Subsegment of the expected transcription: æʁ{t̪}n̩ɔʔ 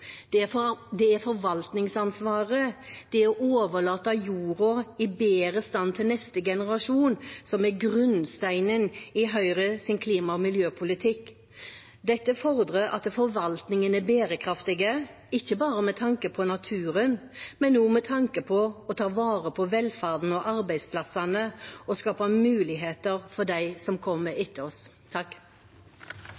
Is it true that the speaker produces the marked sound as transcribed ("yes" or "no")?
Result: no